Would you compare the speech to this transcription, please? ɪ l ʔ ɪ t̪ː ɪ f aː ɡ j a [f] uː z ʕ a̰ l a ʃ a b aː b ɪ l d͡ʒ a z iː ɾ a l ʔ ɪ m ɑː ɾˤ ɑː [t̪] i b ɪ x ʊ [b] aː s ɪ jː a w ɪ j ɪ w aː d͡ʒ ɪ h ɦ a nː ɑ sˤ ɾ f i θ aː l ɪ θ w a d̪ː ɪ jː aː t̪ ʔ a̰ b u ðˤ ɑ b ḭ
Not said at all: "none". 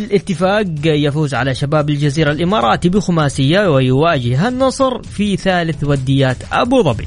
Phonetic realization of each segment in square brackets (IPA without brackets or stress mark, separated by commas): f, t̪, m